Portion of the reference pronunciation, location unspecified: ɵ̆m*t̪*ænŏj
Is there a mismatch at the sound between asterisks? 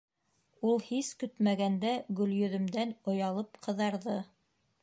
yes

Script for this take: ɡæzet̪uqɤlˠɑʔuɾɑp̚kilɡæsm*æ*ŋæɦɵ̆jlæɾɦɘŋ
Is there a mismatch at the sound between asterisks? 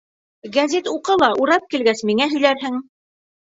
yes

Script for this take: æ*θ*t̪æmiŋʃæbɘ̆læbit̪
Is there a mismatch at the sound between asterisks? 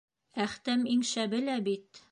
yes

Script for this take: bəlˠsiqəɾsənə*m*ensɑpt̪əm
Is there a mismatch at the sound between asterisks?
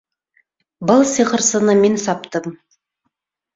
no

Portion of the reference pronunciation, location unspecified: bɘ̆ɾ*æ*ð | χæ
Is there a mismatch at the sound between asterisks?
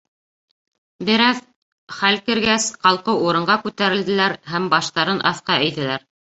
no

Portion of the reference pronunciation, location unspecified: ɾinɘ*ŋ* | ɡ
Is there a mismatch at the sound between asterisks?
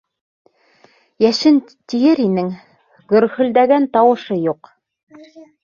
no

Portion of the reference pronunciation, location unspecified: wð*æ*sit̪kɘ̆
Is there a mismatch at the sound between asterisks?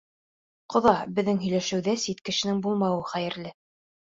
no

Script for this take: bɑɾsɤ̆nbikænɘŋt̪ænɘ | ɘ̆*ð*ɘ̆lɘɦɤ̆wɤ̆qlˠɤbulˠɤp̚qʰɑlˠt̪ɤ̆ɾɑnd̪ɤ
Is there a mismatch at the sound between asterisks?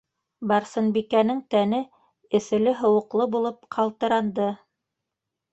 yes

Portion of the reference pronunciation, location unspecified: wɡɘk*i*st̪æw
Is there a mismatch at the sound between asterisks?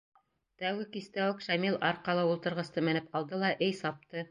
no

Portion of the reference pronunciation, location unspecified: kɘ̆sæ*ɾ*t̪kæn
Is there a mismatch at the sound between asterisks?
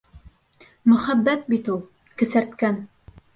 no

